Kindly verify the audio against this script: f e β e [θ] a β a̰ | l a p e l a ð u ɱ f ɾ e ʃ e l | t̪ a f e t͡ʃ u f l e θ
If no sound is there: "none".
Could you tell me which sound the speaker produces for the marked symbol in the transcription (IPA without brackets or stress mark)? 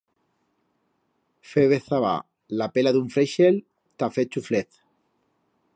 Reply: θ